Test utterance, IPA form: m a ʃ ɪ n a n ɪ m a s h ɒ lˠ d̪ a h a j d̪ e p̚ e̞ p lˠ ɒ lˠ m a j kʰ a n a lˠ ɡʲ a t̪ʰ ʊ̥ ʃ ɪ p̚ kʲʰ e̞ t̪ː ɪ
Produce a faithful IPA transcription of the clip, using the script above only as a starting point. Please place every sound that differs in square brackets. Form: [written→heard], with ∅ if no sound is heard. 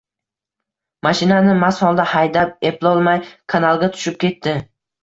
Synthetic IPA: m a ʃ ɪ n a n ɪ m a s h ɒ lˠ d̪ a h a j d̪ [e→a] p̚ e̞ p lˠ ɒ lˠ m a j kʰ a n a lˠ ɡʲ a t̪ʰ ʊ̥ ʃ ɪ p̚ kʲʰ e̞ t̪ː ɪ